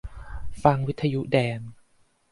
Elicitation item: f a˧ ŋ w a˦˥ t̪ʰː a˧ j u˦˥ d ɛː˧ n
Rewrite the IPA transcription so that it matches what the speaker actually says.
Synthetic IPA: f a˧ ŋ w i˦˥ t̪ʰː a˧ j u˦˥ d ɛː˧ n